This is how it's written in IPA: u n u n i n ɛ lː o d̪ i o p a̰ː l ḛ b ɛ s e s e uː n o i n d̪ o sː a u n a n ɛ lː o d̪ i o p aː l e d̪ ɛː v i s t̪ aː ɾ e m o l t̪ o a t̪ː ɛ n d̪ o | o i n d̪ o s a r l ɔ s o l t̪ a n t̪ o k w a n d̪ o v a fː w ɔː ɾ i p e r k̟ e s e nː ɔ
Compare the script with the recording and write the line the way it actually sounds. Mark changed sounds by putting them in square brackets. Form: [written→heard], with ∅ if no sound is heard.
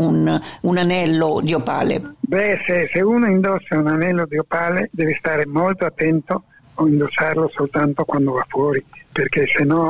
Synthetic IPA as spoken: u n u n [i→a] n ɛ lː o d̪ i o p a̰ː l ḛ b ɛ s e s e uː n o i n d̪ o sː a u n a n ɛ lː o d̪ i o p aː l e d̪ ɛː v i s t̪ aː ɾ e m o l t̪ o a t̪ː ɛ n [d̪→t̪] o | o i n d̪ o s a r l [ɔ→o] s o l t̪ a n t̪ o k w a n d̪ o v a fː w ɔː ɾ i p e r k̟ e s e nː ɔ